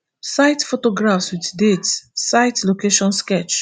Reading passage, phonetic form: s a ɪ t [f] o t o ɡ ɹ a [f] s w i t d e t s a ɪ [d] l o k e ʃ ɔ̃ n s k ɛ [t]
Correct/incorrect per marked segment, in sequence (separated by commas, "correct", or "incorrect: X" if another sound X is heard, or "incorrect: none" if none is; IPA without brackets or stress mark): correct, correct, incorrect: t, incorrect: t͡ʃ